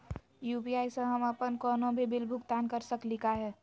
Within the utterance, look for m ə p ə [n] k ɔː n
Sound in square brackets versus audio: correct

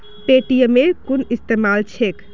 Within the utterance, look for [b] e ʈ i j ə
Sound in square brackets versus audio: incorrect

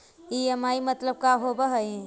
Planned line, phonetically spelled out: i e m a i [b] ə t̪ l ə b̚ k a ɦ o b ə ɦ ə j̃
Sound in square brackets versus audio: incorrect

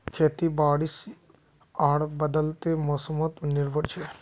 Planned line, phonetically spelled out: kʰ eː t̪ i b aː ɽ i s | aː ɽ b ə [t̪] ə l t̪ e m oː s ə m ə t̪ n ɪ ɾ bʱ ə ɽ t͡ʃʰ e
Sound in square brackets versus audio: incorrect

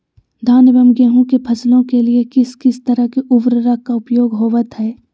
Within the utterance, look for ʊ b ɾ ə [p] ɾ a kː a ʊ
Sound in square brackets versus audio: incorrect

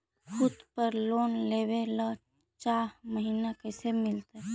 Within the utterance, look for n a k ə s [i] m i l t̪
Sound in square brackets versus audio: incorrect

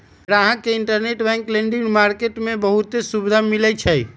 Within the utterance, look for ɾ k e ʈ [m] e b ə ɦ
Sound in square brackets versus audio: correct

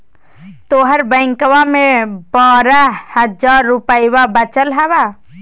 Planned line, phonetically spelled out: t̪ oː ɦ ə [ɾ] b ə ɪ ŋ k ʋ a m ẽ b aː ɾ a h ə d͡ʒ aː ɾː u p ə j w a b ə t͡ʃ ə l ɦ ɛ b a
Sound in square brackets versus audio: correct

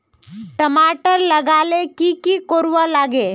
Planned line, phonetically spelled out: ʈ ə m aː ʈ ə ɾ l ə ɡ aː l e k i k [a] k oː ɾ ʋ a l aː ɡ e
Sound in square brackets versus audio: incorrect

